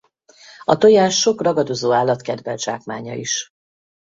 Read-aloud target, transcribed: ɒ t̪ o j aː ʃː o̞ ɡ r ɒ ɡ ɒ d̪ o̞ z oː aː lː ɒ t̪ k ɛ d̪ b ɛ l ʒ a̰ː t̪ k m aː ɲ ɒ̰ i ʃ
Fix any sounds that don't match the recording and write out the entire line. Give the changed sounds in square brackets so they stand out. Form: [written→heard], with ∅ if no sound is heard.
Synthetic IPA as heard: ɒ t̪ o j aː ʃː o̞ [ɡ→k] r ɒ ɡ ɒ d̪ o̞ z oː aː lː ɒ t̪ k ɛ d̪ [b→v] ɛ l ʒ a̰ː [t̪→∅] k m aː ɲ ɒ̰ i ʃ